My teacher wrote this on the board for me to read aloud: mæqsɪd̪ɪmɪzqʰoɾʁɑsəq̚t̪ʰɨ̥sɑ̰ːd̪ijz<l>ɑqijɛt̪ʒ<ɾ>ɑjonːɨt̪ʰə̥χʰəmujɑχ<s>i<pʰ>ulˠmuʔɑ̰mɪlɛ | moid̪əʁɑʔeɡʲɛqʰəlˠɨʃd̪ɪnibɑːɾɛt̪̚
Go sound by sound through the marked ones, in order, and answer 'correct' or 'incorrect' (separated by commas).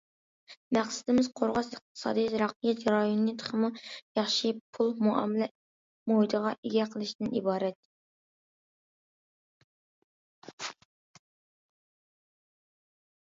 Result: incorrect, correct, incorrect, correct